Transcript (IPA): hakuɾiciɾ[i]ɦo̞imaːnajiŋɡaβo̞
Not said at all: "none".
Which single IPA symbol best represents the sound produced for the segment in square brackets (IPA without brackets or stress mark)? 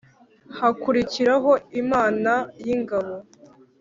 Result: a